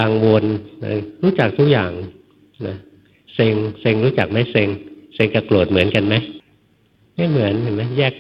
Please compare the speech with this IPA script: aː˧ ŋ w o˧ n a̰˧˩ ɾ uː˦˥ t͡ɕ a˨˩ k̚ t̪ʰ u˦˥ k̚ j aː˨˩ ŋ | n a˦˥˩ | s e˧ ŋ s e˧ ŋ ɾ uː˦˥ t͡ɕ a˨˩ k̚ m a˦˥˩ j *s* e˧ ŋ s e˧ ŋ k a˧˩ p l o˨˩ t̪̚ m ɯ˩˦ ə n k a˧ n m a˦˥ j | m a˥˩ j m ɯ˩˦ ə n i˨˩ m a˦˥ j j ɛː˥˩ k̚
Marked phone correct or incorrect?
correct